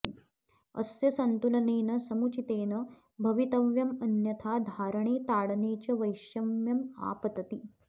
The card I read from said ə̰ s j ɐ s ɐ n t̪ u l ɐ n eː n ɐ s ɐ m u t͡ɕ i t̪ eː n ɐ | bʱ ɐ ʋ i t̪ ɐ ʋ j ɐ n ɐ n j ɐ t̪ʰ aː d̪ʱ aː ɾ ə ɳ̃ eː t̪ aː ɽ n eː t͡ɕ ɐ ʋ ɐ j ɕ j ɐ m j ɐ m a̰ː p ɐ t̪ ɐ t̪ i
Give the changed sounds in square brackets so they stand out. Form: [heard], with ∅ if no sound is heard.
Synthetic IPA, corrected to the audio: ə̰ s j ɐ s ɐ n t̪ u l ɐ n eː n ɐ s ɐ m u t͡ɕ i t̪ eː n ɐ | bʱ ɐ ʋ i t̪ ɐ ʋ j ɐ [m] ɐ n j ɐ t̪ʰ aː d̪ʱ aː ɾ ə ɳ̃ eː t̪ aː ɽ n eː t͡ɕ ɐ ʋ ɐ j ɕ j ɐ m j ɐ m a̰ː p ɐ t̪ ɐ t̪ i